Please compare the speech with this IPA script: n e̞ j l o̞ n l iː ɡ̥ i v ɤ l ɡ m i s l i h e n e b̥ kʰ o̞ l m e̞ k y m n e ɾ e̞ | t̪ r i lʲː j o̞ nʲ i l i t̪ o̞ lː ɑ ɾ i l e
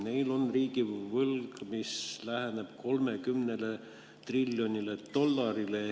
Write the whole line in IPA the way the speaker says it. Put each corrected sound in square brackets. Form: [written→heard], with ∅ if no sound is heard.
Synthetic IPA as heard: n e̞ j l o̞ n [l→r] iː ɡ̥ i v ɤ l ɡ m i s l [i→æ] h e n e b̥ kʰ o̞ l m e̞ k y m n e [ɾ→l] e̞ | t̪ r i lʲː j o̞ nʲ i l [i→e] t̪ o̞ lː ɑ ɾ i l e